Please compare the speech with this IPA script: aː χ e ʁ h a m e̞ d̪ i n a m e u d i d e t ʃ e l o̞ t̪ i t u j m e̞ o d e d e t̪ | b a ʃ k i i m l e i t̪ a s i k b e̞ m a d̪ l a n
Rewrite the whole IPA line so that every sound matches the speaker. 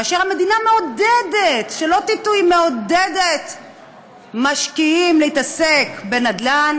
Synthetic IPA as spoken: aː ʃ e ʁ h a m e̞ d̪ i n a m e o d e d e t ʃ e l o̞ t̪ i t u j m e̞ o d e d e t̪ | m a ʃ k i i m l e i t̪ a s e k b e̞ n a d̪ l a n